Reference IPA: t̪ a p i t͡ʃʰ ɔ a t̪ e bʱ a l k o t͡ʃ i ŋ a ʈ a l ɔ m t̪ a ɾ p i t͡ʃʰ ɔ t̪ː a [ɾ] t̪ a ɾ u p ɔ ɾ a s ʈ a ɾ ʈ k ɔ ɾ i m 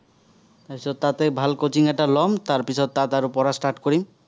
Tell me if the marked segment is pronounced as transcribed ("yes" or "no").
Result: no